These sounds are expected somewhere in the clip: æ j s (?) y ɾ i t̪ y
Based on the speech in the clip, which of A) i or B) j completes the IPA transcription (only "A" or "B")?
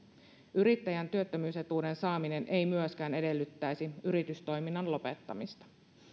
A